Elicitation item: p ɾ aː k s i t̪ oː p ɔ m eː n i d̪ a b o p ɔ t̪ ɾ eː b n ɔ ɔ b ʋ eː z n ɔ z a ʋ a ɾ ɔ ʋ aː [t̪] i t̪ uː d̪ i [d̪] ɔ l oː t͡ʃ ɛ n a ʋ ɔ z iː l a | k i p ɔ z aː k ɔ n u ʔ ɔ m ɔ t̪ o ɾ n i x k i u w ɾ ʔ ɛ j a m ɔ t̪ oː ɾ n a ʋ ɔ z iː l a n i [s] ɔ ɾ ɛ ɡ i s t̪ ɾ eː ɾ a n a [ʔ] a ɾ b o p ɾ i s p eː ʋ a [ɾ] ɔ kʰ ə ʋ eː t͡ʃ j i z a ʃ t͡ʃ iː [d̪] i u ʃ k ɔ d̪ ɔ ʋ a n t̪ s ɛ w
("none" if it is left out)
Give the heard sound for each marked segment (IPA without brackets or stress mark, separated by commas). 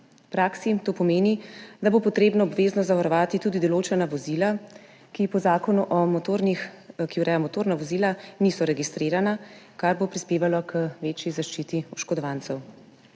t̪, d̪, s, k, l, t̪